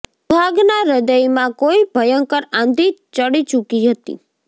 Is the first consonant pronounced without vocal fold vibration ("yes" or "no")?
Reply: no